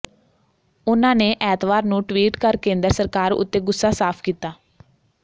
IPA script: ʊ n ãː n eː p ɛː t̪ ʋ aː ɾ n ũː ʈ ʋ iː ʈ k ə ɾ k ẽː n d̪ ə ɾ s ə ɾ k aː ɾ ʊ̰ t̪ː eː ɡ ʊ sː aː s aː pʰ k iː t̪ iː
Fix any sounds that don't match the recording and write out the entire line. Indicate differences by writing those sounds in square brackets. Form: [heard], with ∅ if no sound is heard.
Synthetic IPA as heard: ʊ n ãː n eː [ʔ] ɛː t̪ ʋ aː ɾ n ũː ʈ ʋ iː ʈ k ə ɾ k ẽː n d̪ ə ɾ s ə ɾ k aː ɾ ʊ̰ t̪ː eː ɡ ʊ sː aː s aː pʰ k iː t̪ [aː]